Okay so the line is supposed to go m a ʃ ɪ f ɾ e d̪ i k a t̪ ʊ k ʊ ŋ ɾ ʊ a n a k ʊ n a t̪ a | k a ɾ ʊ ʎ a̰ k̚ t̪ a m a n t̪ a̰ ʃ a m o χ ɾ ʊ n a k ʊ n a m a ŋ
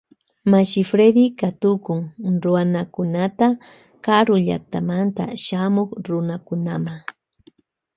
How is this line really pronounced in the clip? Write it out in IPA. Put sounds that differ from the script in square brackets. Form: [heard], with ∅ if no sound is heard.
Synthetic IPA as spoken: m a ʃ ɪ f ɾ e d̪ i k a t̪ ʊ k ʊ ŋ ɾ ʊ a n a k ʊ n a t̪ a | k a ɾ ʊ ʎ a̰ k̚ t̪ a m a n t̪ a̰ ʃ a m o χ ɾ ʊ n a k ʊ n a m a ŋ